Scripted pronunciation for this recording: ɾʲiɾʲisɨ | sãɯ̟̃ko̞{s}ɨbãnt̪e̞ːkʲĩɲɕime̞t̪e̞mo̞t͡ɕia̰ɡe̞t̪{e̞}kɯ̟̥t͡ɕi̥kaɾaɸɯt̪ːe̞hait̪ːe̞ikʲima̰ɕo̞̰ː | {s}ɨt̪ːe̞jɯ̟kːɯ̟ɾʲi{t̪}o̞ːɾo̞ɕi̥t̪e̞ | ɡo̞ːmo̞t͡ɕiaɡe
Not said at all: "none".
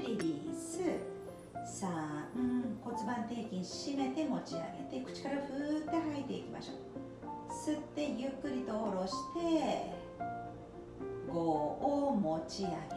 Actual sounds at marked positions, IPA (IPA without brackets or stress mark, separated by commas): t͡s, e̞, s, t̪